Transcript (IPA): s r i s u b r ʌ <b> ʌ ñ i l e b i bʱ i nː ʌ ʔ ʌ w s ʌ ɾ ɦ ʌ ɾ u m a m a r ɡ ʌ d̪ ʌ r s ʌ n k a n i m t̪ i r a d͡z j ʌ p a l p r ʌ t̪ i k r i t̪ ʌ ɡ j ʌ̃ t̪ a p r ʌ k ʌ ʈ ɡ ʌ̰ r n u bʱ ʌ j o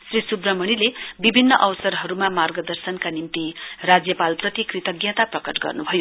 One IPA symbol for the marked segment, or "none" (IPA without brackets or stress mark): m